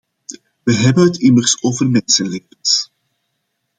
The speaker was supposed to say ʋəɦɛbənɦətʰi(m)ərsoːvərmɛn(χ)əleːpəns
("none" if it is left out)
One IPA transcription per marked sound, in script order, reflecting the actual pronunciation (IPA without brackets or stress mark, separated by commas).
m, s